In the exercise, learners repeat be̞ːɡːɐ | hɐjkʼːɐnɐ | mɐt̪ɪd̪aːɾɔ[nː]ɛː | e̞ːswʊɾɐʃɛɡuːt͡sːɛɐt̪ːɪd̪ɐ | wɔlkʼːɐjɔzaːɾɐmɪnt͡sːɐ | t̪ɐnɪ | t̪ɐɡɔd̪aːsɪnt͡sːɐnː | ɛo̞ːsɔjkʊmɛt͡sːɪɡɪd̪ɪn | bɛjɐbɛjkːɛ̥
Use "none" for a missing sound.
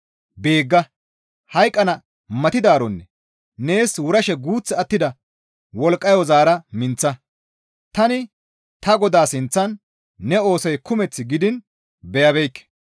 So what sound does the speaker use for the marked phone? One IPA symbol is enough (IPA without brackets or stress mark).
nː